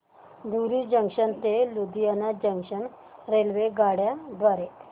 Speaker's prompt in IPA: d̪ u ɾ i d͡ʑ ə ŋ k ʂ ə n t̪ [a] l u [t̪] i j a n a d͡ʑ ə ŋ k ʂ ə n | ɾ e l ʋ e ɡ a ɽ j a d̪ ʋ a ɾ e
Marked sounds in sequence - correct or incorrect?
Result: incorrect: e, incorrect: d̪

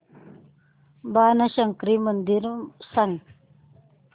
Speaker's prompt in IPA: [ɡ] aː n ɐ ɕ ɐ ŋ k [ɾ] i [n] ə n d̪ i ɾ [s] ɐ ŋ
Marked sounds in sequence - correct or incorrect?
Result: incorrect: b, correct, incorrect: m, correct

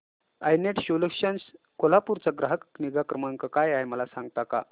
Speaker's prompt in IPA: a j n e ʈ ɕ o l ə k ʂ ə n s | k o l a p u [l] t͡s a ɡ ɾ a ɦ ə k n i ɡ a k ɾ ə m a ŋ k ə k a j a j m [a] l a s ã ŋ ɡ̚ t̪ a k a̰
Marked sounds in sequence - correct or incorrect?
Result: incorrect: ɾ, incorrect: ə

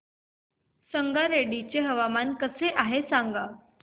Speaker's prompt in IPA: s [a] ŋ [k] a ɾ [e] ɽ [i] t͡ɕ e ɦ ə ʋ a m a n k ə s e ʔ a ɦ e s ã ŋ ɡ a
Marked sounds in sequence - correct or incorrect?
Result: incorrect: ə, incorrect: ɡ, correct, correct

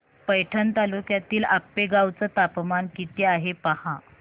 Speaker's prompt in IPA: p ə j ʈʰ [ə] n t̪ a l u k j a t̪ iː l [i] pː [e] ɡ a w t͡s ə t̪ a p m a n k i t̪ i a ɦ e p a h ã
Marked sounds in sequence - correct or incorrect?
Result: correct, incorrect: a, correct

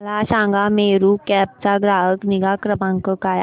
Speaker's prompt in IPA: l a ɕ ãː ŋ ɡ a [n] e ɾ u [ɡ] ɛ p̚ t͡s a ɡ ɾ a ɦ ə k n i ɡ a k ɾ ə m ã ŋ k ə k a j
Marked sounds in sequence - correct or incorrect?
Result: incorrect: m, incorrect: k

